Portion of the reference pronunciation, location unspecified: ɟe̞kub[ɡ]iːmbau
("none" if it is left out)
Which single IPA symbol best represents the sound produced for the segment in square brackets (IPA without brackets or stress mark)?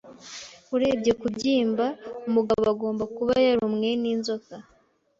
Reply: ɟ